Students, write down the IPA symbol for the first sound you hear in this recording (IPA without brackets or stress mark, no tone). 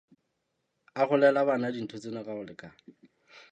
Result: a